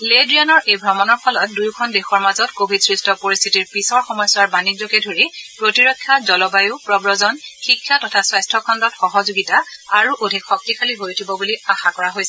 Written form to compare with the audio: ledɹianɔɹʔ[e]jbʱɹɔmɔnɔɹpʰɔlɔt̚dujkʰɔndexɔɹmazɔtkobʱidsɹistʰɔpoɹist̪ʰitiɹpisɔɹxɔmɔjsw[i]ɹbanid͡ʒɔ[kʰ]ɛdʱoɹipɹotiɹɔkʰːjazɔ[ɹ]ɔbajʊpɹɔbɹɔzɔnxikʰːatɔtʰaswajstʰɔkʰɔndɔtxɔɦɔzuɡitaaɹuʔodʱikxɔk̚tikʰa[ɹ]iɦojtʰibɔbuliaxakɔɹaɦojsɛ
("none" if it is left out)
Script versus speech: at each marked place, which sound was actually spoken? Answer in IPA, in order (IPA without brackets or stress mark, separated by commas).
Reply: e, a, k, l, l